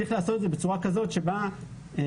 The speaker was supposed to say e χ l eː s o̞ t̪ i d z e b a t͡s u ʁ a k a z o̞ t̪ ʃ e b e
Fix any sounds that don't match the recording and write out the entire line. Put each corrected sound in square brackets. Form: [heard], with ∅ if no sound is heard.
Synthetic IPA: [i] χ l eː s o̞ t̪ [e] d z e b [e] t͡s u ʁ a k a z o̞ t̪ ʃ e b [a]